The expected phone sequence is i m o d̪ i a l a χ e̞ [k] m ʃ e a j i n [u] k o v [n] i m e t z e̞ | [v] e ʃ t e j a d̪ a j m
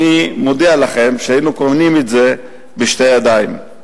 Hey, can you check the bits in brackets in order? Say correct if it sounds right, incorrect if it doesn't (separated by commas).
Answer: incorrect, correct, correct, incorrect